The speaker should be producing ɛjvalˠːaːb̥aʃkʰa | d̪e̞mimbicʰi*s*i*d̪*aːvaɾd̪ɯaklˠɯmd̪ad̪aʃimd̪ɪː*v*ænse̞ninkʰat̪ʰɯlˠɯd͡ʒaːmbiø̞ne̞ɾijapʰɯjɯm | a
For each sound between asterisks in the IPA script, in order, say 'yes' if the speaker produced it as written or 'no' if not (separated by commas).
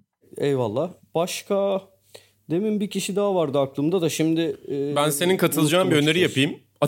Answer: no, yes, no